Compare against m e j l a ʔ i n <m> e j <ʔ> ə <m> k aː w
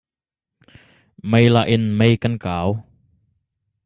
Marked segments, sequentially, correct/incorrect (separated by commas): correct, incorrect, incorrect